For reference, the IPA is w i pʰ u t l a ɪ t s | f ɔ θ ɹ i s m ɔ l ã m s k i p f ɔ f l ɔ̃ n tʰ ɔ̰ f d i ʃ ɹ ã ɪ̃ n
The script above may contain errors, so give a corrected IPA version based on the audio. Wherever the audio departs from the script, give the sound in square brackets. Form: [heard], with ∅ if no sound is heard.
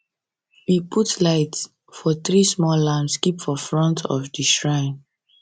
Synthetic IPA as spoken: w i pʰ u t l a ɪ t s | f ɔ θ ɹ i s m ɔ l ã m s k i p f ɔ f [ɹ] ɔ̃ n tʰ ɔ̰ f d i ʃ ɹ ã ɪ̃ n